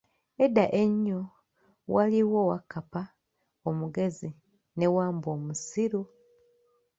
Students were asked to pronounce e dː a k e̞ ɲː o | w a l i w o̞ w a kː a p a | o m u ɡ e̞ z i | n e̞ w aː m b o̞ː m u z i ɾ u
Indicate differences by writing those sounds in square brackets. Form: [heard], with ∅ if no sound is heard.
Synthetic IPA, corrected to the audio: e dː a [ʔ] e̞ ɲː o | w a l i w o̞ w a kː a p a | o m u ɡ e̞ z i | n e̞ w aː m b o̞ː m u [s] i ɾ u

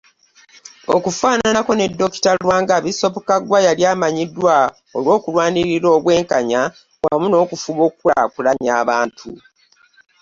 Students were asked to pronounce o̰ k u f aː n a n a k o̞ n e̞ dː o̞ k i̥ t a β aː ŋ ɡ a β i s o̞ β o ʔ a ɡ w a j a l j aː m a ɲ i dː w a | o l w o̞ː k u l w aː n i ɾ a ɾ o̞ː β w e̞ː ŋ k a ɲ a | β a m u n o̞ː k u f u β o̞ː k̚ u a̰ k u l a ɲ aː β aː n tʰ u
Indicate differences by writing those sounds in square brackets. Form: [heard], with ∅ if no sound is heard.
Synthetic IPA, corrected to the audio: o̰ k u f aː n a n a k o̞ n e̞ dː o̞ k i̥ t a [w] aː ŋ ɡ a β i s o̞ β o [k] a ɡ w a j a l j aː m a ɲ i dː w a | o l w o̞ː k u l w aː n i ɾ [i] ɾ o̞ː β w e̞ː ŋ k a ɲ a | [w] a m u n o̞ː k u f u β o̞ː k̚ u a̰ k u l a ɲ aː β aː n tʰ u

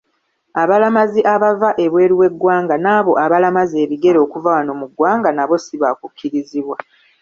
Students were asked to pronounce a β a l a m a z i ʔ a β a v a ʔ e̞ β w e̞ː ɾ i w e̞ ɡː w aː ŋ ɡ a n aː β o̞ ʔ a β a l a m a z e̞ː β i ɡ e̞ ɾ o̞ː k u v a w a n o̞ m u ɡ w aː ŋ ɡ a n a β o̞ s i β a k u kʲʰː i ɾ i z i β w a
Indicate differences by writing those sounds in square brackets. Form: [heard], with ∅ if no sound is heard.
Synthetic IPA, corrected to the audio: a β a l a m a z i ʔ a β a v a ʔ e̞ β w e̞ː ɾ i w e̞ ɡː w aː ŋ ɡ a n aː β o̞ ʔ a β a l a m a z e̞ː β i ɡ e̞ ɾ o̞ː k u v a w a n o̞ m u ɡ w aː ŋ ɡ a n a β o̞ s i β a k u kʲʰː i ɾ i z i β w a

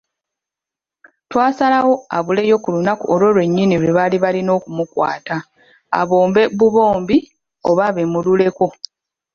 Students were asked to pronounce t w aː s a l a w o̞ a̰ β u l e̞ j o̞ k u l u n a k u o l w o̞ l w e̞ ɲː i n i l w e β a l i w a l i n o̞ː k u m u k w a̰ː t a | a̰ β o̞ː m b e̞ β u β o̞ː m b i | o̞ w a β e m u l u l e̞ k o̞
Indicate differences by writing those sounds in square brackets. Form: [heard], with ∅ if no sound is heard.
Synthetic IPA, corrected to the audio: t w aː s a l a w o̞ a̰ β u l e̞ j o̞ k u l u n a k u o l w o̞ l w e̞ ɲː i n i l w e β a l i [β] a l i n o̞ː k u m u k w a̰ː t a | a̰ β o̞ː m b e̞ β u β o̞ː m b i | o̞ [β] a β e m u l u l e̞ k o̞

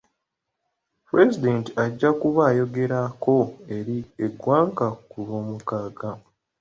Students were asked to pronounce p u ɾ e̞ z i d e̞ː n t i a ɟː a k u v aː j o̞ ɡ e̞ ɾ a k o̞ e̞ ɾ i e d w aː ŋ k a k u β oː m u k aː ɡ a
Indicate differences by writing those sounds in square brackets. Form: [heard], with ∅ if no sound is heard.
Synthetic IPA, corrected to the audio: p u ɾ e̞ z i d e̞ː n t i a ɟː a k u [β] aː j o̞ ɡ e̞ ɾ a k o̞ e̞ ɾ i e [ɡ] w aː ŋ k a k u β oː m u k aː ɡ a

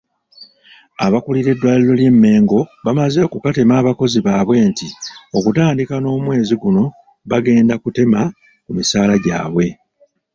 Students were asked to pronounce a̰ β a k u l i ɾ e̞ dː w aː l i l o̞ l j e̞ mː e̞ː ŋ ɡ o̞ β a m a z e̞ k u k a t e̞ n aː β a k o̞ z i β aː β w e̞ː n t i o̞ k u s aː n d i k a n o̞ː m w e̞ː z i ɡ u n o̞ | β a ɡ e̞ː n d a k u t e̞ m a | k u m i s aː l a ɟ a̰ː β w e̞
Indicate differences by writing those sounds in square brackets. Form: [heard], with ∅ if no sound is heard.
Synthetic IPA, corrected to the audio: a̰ β a k u l i ɾ e̞ dː w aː l i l o̞ l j e̞ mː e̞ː ŋ ɡ o̞ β a m a z e̞ k u k a t e̞ [m] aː β a k o̞ z i β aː β w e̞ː n t i o̞ k u [t] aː n d i k a n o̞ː m w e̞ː z i ɡ u n o̞ | β a ɡ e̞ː n d a k u t e̞ m a | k u m i s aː l a ɟ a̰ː β w e̞

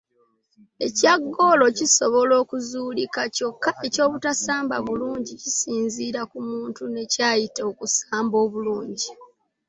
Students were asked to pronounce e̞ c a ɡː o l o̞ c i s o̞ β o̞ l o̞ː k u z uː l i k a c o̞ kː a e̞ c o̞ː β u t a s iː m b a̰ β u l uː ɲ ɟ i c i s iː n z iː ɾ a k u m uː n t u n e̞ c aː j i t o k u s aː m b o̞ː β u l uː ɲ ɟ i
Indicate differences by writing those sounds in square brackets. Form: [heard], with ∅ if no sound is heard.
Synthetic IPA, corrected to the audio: e̞ c a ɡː o l o̞ c i s o̞ β o̞ l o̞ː k u z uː l i k a c o̞ kː a e̞ c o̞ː β u t a s [aː] m b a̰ β u l uː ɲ ɟ i c i s iː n z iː ɾ a k u m uː n t u n e̞ c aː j i t o k u s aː m b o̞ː β u l uː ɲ ɟ i

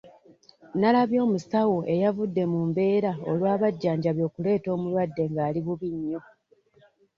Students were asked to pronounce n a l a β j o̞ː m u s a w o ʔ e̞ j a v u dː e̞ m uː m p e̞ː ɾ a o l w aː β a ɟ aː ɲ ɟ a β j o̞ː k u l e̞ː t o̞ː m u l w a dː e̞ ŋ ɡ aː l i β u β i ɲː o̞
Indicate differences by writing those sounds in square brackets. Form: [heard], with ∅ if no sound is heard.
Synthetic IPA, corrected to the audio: n a l a β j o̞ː m u s a w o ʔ e̞ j a v u dː e̞ m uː m [b] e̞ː ɾ a o l w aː β a [ɟː] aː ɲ ɟ a β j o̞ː k u l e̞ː t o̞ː m u l w a dː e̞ ŋ ɡ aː l i β u β i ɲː o̞

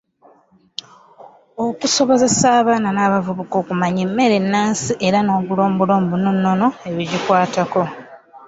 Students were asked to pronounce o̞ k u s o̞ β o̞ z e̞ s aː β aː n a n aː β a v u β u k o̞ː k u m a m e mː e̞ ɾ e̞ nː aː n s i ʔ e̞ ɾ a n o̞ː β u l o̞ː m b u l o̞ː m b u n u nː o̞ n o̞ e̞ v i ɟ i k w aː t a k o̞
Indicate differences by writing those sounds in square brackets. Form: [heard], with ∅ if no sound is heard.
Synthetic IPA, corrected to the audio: o̞ k u s o̞ β o̞ z e̞ s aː β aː n a n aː β a v u β u k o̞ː k u m a [ɲ] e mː e̞ ɾ e̞ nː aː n s i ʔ e̞ ɾ a n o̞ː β u l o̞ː m b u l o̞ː m b u n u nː o̞ n o̞ e̞ [β] i ɟ i k w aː t a k o̞

